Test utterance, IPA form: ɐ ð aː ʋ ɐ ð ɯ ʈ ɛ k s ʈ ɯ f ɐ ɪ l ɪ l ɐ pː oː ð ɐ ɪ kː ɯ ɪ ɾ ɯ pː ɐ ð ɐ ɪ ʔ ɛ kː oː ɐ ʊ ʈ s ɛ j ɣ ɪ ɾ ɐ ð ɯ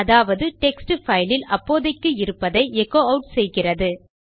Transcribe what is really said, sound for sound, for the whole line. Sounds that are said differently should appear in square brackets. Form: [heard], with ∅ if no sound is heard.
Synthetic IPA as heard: ɐ ð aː ʋ ɐ ð ɯ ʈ ɛ k s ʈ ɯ f ɐ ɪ l ɪ l ɐ pː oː ð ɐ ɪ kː ɯ ɪ ɾ ɯ pː ɐ ð ɐ ɪ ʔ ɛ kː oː ɐ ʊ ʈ s ɛ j ɣ ɪ [r] ɐ ð ɯ